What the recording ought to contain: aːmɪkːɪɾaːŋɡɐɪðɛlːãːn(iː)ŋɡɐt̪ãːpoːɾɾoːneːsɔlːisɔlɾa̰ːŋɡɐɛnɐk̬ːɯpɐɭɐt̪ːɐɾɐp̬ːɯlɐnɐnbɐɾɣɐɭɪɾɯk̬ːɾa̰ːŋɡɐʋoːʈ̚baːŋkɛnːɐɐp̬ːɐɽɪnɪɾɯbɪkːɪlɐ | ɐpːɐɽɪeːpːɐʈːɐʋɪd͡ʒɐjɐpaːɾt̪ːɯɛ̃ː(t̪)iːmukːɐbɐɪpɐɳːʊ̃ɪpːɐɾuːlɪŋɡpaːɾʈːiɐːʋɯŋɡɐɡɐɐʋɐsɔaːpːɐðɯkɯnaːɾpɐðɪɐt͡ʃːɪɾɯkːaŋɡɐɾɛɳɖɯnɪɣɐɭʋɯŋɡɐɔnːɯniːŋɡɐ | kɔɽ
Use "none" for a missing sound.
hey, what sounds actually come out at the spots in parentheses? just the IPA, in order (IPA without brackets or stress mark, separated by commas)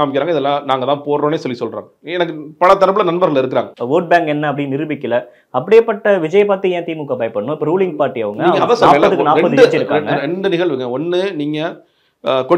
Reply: aː, t̪